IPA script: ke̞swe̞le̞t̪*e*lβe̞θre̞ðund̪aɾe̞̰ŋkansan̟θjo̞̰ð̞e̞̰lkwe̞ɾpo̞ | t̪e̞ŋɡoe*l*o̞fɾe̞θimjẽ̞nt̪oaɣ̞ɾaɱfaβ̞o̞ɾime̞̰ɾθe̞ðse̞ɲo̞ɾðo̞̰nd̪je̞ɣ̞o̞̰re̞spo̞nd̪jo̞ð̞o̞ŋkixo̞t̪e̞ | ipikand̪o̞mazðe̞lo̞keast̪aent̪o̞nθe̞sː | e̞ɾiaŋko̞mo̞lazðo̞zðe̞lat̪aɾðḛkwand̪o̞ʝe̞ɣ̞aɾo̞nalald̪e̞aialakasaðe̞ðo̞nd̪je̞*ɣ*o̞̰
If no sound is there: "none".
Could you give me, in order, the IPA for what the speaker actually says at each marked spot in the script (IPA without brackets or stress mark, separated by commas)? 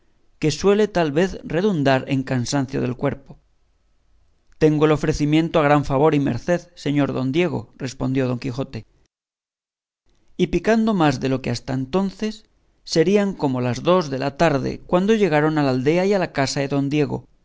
a, l, ɣ